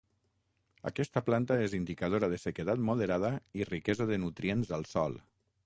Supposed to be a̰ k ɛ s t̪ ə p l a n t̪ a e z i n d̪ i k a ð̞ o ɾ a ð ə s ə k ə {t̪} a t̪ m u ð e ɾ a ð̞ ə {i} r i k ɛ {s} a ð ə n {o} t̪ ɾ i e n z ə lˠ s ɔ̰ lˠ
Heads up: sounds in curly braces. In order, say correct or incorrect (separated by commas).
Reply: correct, correct, incorrect, incorrect